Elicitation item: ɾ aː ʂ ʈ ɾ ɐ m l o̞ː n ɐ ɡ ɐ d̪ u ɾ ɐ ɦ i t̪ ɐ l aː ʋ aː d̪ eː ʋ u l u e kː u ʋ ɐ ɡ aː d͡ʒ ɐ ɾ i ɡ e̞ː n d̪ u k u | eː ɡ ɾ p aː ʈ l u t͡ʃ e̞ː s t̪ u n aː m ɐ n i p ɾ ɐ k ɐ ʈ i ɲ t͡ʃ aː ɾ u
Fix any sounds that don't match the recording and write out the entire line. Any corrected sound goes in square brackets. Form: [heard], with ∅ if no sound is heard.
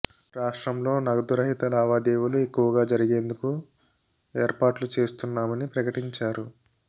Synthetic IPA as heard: ɾ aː ʂ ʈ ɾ ɐ m l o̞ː n ɐ ɡ ɐ d̪ u ɾ ɐ ɦ i t̪ ɐ l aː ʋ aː d̪ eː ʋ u l u e kː u ʋ ɐ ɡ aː d͡ʒ ɐ ɾ i ɡ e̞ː n d̪ u k u | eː [∅] ɾ p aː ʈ l u t͡ʃ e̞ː s t̪ u [nː] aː m ɐ n i p ɾ ɐ k ɐ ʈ i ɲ t͡ʃ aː ɾ u